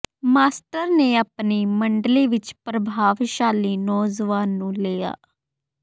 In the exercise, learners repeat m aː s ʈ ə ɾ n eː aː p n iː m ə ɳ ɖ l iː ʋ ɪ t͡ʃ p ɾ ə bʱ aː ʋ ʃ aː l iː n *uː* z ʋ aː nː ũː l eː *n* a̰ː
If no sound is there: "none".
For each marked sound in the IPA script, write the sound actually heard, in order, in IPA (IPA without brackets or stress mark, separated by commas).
ɔː, none